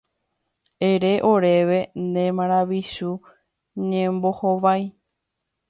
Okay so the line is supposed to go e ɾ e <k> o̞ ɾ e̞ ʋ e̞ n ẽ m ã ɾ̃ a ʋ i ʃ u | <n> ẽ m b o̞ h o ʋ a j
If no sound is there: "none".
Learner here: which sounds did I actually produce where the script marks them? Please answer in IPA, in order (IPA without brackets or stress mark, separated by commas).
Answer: ʔ, ɲ